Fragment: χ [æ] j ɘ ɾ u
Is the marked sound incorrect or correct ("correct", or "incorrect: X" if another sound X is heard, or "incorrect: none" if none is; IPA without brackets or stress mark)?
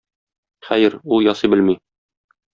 correct